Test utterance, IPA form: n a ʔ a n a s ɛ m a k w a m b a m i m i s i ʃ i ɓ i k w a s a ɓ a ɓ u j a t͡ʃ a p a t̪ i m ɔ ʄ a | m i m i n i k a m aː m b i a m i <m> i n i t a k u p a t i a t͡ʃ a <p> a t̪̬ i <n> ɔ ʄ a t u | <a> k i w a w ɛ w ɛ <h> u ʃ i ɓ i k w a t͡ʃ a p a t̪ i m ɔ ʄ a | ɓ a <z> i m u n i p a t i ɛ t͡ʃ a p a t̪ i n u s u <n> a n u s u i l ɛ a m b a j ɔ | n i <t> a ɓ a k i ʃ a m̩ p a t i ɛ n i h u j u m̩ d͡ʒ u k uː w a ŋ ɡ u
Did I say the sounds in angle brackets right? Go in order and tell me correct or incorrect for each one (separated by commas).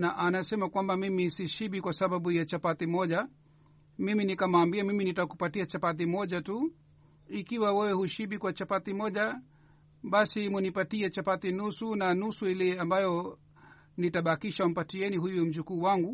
correct, correct, incorrect, incorrect, correct, incorrect, correct, correct